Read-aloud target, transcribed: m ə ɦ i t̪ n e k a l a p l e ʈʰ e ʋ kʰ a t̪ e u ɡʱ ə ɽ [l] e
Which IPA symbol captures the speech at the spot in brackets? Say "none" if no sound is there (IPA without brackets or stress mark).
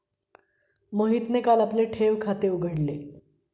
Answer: l